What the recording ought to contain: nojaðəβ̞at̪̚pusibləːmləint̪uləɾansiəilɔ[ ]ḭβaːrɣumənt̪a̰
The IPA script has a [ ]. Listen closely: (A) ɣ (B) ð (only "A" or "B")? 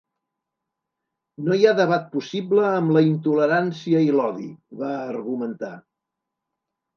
B